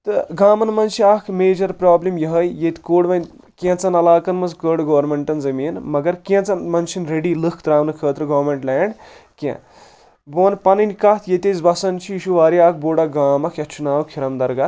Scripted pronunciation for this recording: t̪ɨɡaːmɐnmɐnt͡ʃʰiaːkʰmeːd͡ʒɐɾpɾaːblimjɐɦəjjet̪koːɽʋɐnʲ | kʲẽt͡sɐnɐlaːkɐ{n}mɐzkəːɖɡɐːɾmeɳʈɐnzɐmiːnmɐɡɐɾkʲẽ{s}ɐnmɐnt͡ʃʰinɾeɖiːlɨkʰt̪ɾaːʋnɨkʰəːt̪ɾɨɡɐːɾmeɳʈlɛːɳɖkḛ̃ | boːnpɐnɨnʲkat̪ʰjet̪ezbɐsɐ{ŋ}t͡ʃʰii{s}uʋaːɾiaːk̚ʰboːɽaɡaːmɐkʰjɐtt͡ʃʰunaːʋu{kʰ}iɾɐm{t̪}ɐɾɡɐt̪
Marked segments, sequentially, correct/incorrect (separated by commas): correct, incorrect, incorrect, incorrect, correct, incorrect